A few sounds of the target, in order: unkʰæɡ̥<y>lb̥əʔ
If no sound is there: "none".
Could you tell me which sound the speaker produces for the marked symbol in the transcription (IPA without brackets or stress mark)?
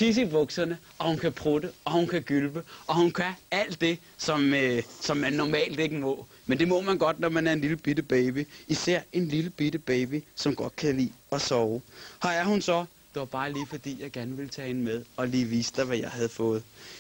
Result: y